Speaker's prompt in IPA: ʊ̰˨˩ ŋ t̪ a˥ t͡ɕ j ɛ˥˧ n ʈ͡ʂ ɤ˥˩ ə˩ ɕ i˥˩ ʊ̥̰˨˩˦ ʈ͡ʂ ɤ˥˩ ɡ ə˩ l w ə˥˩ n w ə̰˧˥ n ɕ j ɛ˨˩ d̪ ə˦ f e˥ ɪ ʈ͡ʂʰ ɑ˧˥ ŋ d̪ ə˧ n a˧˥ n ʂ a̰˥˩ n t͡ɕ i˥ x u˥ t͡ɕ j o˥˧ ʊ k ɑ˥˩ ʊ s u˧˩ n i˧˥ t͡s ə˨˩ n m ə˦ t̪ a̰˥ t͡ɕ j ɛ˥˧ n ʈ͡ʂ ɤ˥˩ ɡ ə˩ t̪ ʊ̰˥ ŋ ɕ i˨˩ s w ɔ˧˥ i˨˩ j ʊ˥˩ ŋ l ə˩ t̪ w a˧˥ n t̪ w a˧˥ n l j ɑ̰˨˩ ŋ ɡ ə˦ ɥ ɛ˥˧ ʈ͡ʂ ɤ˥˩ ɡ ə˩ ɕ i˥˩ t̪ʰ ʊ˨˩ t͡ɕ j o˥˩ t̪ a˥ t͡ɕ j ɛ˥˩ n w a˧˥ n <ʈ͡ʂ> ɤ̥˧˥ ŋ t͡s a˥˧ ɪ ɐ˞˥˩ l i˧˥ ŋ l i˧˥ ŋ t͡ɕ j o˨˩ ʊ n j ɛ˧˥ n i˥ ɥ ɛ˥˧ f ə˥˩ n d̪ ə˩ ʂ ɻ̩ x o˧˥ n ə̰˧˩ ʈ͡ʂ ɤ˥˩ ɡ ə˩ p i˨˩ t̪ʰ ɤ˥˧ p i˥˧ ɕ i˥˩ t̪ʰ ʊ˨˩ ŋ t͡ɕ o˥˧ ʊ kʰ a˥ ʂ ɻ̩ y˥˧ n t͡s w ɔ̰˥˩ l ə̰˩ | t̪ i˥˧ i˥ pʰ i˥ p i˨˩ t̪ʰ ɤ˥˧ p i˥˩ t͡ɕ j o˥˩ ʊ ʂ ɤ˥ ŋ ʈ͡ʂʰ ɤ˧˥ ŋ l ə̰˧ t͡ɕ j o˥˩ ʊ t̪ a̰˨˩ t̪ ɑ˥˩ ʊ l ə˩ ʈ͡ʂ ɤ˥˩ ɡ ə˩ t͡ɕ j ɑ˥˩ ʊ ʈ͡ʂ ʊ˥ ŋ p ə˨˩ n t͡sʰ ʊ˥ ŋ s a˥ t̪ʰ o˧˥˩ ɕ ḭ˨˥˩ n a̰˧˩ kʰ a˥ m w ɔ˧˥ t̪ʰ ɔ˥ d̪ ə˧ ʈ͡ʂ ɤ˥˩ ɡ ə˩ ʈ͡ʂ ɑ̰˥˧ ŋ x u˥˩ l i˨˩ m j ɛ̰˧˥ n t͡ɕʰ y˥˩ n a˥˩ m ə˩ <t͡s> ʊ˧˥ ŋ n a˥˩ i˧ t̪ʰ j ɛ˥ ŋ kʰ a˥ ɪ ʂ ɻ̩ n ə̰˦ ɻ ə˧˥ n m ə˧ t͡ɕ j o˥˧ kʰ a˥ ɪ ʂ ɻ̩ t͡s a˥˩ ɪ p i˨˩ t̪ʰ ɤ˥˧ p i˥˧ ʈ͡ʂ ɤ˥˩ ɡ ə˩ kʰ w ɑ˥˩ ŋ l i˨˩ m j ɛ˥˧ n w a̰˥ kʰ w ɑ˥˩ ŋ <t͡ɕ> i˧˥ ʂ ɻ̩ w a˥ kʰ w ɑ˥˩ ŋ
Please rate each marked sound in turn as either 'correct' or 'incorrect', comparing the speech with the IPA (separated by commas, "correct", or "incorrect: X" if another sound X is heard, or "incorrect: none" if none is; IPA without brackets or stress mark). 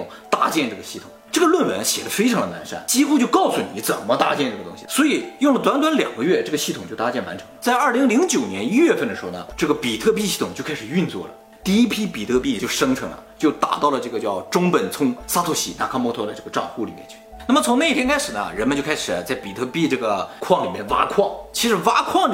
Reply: incorrect: ʈ͡ʂʰ, incorrect: t͡sʰ, incorrect: t͡ɕʰ